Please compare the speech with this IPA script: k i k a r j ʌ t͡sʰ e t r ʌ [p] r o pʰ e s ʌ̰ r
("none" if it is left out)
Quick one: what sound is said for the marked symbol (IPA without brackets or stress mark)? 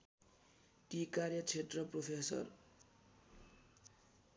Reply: p